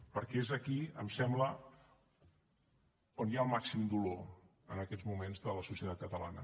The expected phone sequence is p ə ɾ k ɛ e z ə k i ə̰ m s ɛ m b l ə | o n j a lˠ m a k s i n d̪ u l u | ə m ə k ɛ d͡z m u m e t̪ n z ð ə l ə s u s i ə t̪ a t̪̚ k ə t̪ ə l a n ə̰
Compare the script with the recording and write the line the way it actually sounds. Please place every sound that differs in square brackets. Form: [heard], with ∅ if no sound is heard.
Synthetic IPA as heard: p ə ɾ k ɛ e z ə k i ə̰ m s ɛ m b l ə | o n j a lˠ m a k s i [m] d̪ u l [o] | ə [n] ə k ɛ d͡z m u m e [∅] n z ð ə l ə s u s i ə t̪ a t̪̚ k ə t̪ ə l a n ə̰